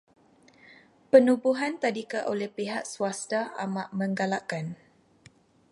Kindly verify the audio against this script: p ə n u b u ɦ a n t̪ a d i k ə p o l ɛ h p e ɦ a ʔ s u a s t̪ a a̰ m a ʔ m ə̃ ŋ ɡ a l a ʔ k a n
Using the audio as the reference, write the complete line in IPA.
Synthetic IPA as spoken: p ə n u b u ɦ a n t̪ a d i k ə ʔ o l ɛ h p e ɦ a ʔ s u a s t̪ a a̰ m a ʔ m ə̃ ŋ ɡ a l a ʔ k a n